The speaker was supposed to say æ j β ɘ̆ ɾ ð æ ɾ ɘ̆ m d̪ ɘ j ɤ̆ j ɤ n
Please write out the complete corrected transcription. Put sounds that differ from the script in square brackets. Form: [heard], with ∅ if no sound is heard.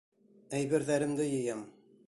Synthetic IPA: æ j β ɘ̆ ɾ ð æ ɾ ɘ̆ m d̪ ɘ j ɤ̆ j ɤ [m]